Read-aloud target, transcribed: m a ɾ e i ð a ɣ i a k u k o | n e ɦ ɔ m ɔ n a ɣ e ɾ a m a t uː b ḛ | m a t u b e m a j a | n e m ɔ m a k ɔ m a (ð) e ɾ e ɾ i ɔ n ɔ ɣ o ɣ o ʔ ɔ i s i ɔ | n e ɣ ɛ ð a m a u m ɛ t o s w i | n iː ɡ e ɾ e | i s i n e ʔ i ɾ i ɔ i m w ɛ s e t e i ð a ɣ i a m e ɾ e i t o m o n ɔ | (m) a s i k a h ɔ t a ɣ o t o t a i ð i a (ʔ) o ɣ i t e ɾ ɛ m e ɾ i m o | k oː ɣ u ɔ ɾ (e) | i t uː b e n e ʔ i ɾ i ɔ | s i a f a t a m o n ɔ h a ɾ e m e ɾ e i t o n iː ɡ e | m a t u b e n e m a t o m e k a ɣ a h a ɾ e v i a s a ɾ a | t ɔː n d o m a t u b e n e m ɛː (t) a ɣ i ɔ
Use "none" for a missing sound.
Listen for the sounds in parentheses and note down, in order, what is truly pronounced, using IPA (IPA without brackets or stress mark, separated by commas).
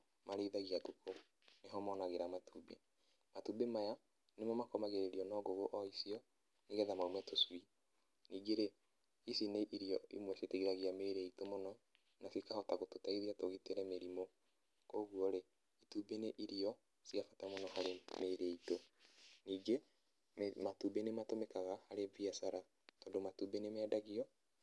ɣ, n, t, e, d